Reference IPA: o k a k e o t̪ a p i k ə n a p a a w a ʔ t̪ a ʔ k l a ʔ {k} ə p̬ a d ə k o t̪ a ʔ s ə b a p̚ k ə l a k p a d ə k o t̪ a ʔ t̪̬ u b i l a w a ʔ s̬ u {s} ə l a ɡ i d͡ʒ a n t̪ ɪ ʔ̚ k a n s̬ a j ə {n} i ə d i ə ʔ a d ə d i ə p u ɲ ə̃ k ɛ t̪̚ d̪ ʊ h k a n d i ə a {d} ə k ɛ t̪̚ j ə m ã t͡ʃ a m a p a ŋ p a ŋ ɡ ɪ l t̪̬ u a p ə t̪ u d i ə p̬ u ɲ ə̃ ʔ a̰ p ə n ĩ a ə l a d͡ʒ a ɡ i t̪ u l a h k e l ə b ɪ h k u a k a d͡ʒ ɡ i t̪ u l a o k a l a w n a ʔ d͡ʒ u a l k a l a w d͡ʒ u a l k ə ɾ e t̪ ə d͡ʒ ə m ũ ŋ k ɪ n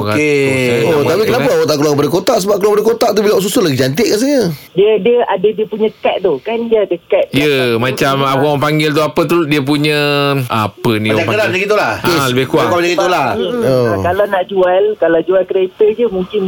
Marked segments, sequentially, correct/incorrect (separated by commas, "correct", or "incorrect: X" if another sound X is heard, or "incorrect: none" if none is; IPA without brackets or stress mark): correct, correct, incorrect: d, correct